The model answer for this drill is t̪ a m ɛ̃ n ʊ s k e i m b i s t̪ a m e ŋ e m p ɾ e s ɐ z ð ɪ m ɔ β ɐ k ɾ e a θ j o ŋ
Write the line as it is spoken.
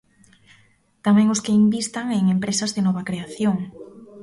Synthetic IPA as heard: t̪ a m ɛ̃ ŋ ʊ s k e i m b i s t̪ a ŋ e ŋ e m p ɾ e s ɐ z ð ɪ n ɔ β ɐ k ɾ e a θ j o ŋ